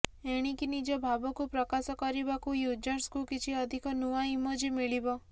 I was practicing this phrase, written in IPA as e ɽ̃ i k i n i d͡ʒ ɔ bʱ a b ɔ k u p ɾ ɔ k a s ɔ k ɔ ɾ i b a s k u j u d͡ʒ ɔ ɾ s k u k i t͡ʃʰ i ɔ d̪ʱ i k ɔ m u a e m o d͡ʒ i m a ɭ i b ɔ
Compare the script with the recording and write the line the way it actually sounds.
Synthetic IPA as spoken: e ɽ̃ i k i n i d͡ʒ ɔ bʱ a b ɔ k u p ɾ ɔ k a s ɔ k ɔ ɾ i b a k u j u d͡ʒ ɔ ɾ s k u k i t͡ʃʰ i ɔ d̪ʱ i k ɔ n u a i m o d͡ʒ i m i ɭ i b ɔ